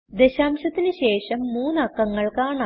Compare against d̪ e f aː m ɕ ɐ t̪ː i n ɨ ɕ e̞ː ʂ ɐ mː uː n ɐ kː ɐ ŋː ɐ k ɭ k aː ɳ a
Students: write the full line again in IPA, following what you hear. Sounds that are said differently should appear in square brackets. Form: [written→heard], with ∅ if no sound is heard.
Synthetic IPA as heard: d̪ e [f→ɕ] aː m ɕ ɐ t̪ː i n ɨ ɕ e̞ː ʂ ɐ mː uː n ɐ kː ɐ ŋː ɐ [k→∅] ɭ k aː ɳ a